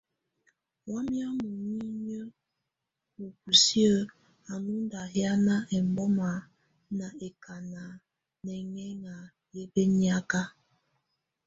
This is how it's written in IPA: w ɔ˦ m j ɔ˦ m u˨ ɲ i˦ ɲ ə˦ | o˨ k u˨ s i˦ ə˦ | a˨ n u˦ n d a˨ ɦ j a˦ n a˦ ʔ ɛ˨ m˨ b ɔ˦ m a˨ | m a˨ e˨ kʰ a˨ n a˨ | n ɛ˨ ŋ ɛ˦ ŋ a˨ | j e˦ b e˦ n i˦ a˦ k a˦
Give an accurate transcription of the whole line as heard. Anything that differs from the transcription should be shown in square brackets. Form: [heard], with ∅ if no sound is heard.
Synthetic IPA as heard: w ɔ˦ m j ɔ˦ m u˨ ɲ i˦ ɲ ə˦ | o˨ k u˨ s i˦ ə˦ | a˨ n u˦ n d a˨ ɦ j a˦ n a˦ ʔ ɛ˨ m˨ b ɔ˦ m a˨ | [n] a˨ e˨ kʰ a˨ n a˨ | n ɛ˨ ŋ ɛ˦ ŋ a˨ | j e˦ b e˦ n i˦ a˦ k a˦